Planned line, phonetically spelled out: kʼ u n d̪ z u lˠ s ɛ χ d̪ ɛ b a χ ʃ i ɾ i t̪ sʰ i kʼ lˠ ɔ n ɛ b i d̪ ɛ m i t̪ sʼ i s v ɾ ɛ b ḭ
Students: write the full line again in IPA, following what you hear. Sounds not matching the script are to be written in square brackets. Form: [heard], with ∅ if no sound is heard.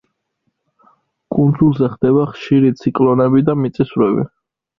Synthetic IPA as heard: kʼ u n d̪ z u lˠ [z] ɛ χ d̪ ɛ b a χ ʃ i ɾ i t̪ sʰ i kʼ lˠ ɔ n ɛ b i d̪ [a] m i t̪ sʼ i s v ɾ ɛ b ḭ